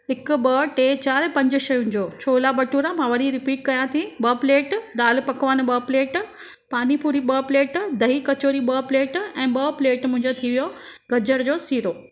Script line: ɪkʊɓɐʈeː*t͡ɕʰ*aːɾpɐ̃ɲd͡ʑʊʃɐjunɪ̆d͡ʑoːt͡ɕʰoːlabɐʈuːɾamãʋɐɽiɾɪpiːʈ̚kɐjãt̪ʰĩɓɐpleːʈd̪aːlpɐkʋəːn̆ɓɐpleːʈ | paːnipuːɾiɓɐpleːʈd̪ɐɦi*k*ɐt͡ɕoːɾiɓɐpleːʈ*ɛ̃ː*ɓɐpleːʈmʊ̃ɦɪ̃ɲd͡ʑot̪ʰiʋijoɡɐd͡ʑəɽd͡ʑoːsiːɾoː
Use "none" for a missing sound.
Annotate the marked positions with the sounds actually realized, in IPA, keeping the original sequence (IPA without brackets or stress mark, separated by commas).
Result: t͡ɕ, k, ɛ̃ː